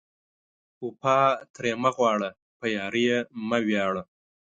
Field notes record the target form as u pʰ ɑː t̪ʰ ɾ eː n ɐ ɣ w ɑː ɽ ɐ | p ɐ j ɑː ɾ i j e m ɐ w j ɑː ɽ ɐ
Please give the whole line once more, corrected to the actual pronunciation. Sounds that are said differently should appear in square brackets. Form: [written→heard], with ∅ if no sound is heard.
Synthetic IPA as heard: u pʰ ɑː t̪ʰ ɾ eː [n→m] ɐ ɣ w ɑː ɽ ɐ | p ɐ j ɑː ɾ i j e m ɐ w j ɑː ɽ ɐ